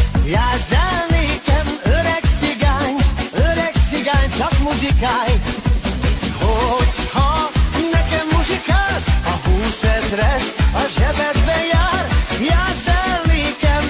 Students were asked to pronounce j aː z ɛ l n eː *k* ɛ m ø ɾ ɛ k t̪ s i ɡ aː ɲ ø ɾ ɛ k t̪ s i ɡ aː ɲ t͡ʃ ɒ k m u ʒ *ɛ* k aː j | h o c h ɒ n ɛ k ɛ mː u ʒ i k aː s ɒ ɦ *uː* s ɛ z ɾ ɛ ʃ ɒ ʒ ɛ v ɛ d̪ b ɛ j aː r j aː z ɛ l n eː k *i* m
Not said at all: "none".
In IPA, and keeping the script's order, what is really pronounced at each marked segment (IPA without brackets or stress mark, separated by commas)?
k, i, uː, ɛ